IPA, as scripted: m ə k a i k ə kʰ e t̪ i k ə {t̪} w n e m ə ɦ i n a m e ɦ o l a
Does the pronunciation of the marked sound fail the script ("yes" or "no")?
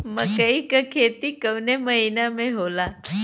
yes